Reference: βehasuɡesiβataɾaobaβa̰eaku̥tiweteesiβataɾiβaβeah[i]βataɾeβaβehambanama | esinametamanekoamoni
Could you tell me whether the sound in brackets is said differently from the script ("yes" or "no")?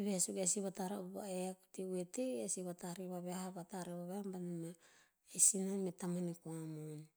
yes